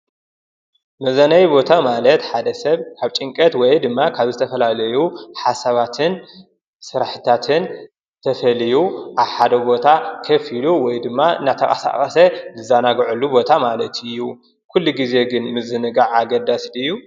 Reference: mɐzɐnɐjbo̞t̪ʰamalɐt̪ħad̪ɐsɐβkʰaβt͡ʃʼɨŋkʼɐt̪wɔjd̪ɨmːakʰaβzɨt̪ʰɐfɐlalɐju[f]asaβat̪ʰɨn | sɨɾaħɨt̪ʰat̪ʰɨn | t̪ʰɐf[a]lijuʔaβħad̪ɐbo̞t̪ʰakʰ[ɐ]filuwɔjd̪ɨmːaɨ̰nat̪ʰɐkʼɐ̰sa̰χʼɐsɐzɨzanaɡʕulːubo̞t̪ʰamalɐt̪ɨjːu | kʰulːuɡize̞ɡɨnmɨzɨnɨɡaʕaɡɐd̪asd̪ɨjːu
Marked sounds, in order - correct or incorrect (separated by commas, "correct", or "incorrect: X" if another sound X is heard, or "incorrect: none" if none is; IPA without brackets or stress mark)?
incorrect: ħ, incorrect: ɐ, correct